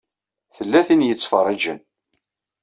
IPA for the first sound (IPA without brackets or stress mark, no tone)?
θ